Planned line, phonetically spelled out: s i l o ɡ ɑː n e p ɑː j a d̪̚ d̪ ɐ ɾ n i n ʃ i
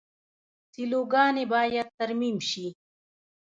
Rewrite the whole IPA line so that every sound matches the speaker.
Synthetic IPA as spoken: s i l o ɡ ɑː n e b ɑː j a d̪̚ t̪ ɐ ɾ m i m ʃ i

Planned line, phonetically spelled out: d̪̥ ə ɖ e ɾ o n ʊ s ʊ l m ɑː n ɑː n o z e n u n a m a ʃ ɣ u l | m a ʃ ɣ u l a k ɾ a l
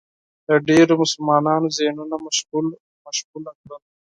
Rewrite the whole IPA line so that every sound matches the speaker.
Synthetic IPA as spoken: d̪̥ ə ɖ e ɾ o m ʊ s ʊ l m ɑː n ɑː n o z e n u n a m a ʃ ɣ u l | m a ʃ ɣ u l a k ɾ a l

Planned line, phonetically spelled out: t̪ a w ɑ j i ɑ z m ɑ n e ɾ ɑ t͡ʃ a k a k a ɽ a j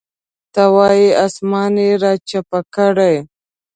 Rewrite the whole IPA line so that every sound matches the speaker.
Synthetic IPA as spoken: t̪ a w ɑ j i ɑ s m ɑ n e ɾ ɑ t͡ʃ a p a k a ɽ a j

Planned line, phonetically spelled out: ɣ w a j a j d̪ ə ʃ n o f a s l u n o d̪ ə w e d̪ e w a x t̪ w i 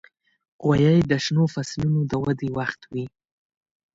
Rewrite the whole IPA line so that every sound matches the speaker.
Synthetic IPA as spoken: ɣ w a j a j d̪ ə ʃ n o f a s l u n o d̪ ə w a d̪ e w a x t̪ w i

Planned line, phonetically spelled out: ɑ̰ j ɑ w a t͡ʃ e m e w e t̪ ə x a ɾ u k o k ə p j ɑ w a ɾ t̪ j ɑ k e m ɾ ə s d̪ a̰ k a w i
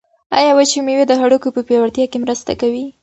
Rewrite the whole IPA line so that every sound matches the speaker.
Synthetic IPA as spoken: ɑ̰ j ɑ w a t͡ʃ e m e w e d̪ ə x a ɽ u k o p ə p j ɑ w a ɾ t̪ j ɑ k e m ɾ ə s t̪ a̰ k a w i

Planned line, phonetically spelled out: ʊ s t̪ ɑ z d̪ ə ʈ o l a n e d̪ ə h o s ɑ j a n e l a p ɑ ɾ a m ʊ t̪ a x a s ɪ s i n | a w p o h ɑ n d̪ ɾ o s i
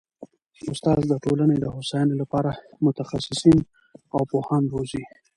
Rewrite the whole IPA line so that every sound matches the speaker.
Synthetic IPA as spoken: ʊ s t̪ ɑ z d̪ ə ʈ o l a n e d̪ ə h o s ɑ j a n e l a p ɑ ɾ a m ʊ t̪ a x a s ɪ s i n | a w p o h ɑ n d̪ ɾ o z i

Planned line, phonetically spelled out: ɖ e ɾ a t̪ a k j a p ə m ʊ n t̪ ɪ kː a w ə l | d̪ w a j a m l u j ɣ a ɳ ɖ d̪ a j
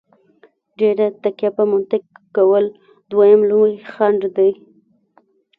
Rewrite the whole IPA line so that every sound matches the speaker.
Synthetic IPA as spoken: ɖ e ɾ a t̪ a k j a p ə m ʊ n t̪ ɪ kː a w ə l | d̪ w a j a m l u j x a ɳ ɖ d̪ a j

